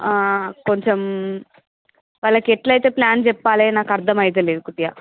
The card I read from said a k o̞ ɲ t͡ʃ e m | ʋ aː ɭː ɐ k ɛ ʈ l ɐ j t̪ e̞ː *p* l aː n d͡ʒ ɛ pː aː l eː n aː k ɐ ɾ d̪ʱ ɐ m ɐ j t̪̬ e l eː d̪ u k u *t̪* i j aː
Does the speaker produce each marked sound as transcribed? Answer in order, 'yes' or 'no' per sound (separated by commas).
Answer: yes, yes